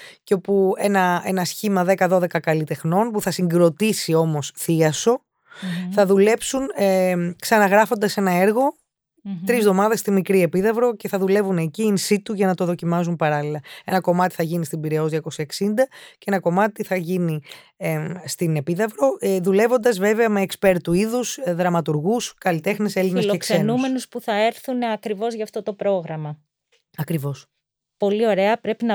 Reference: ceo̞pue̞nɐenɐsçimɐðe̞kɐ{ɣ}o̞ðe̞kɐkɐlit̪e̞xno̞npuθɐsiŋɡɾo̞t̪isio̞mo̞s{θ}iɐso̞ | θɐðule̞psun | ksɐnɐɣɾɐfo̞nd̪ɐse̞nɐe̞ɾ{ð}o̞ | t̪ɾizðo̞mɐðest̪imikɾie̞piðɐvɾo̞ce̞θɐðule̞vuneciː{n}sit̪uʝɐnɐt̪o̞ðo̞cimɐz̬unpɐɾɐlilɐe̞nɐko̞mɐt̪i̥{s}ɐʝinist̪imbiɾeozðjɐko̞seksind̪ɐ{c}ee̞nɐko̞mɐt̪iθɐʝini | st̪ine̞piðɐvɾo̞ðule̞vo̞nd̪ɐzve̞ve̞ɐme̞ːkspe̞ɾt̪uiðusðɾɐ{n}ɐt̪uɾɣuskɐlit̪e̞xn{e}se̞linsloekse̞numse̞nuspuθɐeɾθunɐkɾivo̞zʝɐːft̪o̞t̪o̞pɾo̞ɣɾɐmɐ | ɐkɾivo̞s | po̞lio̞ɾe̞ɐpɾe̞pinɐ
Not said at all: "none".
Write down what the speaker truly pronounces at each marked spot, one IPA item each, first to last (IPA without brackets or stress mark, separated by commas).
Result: ð, θ, ɣ, n, θ, c, m, e